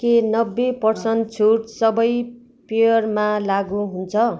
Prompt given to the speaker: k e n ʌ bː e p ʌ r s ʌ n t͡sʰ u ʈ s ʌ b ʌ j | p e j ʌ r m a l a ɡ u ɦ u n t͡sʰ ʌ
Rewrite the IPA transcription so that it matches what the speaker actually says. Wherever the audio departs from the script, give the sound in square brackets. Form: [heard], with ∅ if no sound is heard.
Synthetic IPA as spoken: k e n ʌ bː e p ʌ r s ʌ n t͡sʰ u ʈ s ʌ b ʌ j | p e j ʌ r m a l a ɡ u ɦ u n t͡sʰ ʌ